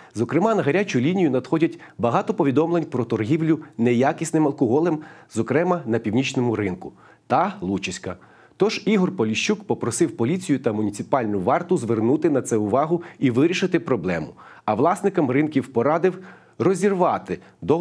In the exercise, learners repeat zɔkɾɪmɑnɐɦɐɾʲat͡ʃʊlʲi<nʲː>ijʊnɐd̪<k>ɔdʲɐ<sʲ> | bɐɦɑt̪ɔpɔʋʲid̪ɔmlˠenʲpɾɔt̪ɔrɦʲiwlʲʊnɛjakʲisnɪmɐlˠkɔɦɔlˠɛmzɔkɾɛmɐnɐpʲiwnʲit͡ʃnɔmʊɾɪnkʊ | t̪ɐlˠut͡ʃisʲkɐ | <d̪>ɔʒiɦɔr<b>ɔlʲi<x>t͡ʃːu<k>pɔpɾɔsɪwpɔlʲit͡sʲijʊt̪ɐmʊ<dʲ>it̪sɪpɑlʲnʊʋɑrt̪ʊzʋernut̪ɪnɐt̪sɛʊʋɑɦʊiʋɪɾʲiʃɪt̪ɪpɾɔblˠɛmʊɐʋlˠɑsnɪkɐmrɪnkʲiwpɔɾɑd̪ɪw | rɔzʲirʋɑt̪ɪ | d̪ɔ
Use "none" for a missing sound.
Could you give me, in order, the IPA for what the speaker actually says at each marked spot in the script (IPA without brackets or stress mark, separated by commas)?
nʲ, x, tʲ, t̪, p, ʃ, k, nʲ